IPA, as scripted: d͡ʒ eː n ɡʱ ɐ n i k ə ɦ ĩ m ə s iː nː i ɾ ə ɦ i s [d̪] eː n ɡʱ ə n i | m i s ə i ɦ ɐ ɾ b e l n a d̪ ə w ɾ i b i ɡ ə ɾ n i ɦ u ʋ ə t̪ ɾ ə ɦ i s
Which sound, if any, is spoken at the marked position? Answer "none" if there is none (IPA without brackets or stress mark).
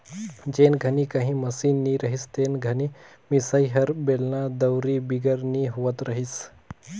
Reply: t̪